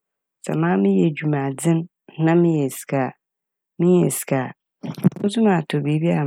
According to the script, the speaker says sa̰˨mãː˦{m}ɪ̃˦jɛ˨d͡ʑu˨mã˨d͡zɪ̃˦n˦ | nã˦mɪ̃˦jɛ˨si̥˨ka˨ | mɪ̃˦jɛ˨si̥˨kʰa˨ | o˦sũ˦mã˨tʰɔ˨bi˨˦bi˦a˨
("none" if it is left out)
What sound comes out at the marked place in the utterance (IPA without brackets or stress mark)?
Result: m